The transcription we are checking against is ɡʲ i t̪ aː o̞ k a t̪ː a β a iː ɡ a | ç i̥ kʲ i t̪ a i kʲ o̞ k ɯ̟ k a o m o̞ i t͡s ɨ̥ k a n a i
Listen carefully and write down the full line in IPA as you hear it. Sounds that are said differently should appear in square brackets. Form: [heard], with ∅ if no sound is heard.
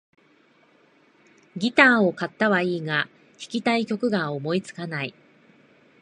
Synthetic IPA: ɡʲ i t̪ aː o̞ k a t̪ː a β a iː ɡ a | ç i̥ kʲ i t̪ a i kʲ o̞ k ɯ̟ [ɡ] a o m o̞ i t͡s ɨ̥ k a n a i